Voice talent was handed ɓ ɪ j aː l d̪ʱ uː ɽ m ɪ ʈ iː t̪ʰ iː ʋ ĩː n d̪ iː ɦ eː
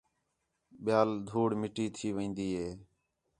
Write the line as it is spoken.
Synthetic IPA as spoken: ɓ ɪ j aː l d̪ʱ uː ɽ m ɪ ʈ iː t̪ʰ iː ʋ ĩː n d̪ iː ɦ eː